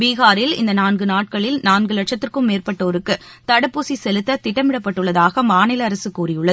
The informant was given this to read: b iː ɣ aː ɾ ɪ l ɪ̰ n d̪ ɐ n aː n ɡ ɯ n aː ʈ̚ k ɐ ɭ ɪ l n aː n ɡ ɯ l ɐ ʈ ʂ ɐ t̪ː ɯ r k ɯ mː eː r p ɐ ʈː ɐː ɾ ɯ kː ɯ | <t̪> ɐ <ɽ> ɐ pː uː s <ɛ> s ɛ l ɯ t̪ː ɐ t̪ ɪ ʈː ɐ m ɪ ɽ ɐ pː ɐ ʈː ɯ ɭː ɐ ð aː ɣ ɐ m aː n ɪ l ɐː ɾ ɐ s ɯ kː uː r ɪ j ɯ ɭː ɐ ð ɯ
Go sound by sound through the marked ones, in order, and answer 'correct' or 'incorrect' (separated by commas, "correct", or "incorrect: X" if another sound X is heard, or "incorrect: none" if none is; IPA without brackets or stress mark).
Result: correct, correct, incorrect: i